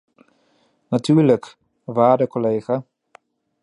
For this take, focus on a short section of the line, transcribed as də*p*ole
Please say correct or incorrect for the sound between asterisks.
incorrect